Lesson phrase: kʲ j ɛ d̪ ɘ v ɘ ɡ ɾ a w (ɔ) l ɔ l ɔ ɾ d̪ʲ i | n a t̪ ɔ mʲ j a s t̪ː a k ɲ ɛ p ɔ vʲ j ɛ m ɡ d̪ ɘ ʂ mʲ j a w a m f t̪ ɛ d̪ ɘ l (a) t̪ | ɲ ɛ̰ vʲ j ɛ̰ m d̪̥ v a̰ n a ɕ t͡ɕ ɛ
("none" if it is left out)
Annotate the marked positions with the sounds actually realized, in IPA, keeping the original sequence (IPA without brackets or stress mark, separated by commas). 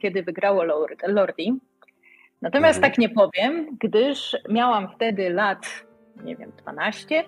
ɔ, a